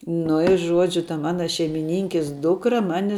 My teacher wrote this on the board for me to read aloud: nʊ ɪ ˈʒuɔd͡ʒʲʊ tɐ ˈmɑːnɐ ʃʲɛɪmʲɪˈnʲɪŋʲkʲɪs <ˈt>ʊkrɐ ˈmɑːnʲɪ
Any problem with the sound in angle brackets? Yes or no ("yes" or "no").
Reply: yes